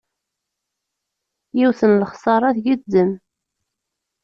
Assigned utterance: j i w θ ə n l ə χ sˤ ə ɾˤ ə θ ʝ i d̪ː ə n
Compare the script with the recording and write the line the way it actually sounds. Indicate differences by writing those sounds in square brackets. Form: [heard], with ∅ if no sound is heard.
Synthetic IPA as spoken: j i w θ ə n l ə χ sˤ [ɑ] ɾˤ [ɑ] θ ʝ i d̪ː ə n